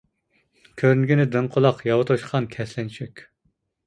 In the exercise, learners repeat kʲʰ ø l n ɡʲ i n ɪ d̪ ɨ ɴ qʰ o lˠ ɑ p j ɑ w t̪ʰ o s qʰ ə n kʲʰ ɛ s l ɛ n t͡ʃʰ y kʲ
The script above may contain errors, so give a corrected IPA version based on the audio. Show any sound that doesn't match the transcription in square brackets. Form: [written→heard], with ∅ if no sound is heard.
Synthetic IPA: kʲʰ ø [l→ɾ] n ɡʲ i n ɪ d̪ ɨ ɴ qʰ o lˠ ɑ [p→q] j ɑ w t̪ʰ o [s→ʃ] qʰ [ə→ɑ] n kʲʰ ɛ s l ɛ n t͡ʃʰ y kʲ